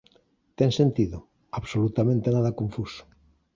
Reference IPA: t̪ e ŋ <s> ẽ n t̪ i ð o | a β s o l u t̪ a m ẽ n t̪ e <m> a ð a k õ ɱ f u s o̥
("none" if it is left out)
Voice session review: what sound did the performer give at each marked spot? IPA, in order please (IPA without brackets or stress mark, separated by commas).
s, n